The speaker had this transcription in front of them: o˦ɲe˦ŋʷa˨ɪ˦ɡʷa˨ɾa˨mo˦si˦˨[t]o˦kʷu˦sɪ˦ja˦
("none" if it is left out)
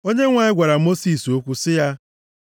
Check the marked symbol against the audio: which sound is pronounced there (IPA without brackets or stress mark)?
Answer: s